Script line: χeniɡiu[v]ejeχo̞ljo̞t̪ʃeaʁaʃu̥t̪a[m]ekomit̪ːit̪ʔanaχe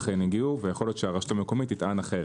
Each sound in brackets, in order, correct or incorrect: correct, correct

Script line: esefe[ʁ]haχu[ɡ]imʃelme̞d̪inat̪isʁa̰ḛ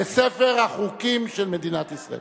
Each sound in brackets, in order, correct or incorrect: correct, incorrect

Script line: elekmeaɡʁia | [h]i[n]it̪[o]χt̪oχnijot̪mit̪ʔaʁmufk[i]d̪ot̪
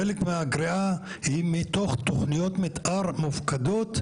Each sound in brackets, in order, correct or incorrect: correct, incorrect, correct, incorrect

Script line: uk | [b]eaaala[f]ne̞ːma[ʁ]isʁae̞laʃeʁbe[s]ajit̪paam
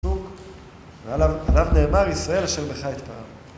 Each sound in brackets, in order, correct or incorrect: incorrect, incorrect, correct, incorrect

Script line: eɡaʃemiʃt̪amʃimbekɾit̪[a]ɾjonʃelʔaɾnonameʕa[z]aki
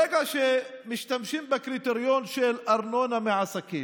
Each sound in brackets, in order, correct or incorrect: incorrect, incorrect

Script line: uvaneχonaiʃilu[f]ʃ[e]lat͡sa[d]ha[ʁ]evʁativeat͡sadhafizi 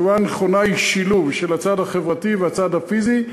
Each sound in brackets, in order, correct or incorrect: incorrect, correct, correct, incorrect

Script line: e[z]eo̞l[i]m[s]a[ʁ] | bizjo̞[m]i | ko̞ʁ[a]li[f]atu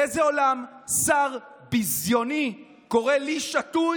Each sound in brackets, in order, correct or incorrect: correct, incorrect, correct, correct, incorrect, incorrect, incorrect

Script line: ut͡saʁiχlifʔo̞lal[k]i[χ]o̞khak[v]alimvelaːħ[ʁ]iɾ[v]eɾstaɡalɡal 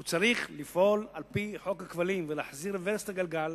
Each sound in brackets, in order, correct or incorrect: incorrect, incorrect, correct, incorrect, correct

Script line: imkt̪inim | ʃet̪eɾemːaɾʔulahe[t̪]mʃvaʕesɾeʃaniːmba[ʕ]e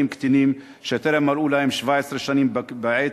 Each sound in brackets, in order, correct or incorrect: incorrect, correct

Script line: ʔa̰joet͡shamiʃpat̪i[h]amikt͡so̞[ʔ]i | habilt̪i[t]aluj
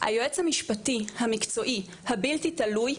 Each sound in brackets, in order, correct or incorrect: correct, correct, correct

